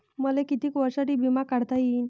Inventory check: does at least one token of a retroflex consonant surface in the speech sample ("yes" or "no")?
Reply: yes